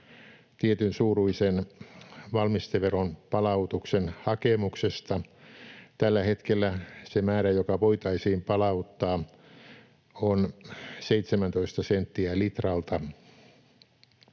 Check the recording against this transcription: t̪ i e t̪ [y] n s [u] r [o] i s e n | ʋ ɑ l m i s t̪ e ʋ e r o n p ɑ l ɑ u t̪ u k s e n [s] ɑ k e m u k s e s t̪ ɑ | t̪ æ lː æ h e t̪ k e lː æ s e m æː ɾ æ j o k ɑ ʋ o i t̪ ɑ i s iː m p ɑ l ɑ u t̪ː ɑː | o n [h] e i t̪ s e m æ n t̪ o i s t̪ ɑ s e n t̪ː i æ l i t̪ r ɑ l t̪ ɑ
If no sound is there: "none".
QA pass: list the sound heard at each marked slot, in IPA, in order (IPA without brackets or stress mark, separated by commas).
y, uː, u, h, s